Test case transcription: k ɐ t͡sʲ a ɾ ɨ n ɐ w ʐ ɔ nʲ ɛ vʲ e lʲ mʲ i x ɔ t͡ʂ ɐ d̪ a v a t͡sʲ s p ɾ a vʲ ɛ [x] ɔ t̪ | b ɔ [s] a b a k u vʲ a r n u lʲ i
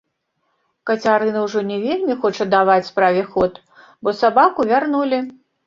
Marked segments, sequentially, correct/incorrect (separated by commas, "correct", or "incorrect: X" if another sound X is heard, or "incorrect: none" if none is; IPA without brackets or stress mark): correct, correct